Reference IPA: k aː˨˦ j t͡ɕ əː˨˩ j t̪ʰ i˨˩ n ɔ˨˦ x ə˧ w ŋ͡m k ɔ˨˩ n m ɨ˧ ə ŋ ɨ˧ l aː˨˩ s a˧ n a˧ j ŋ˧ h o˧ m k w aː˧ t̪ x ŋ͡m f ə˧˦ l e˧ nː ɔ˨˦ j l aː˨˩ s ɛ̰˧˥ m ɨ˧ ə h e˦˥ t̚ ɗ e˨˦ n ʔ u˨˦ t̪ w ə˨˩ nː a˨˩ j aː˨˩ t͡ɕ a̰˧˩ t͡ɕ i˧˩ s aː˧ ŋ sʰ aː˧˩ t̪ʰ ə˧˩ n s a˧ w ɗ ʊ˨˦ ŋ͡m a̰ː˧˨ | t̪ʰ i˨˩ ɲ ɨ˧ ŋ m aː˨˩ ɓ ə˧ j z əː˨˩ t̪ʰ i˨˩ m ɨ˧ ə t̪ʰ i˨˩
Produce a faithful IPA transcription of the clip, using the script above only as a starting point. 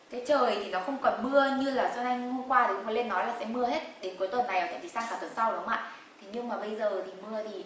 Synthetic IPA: k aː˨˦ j t͡ɕ əː˨˩ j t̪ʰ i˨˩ n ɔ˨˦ x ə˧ w ŋ͡m k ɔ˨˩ n m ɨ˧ ə ɲ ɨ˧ l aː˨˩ s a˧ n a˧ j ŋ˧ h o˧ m k w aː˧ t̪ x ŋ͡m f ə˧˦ l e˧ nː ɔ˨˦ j l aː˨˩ s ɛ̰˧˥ m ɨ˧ ə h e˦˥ t̚ ɗ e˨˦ n k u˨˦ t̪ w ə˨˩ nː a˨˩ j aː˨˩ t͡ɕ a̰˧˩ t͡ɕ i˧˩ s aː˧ ŋ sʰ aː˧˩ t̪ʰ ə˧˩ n s a˧ w ɗ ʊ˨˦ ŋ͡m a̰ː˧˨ | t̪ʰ i˨˩ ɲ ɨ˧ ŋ m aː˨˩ ɓ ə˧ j z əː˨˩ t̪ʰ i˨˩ m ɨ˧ ə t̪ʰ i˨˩